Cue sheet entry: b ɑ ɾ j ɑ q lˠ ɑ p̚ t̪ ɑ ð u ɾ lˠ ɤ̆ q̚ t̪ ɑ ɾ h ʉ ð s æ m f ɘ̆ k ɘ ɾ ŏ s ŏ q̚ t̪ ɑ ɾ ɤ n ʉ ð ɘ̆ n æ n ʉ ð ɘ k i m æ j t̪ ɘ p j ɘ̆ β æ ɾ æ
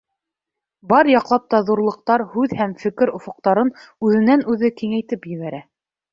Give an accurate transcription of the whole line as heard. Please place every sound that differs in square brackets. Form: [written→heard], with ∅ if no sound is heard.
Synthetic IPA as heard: b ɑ ɾ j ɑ q lˠ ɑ p̚ t̪ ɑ ð u ɾ lˠ ɤ̆ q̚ t̪ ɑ ɾ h ʉ ð [s→h] æ m f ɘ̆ k ɘ ɾ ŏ [s→f] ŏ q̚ t̪ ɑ ɾ ɤ n ʉ ð ɘ̆ n æ n ʉ ð ɘ k i [m→ŋ] æ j t̪ ɘ p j ɘ̆ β æ ɾ æ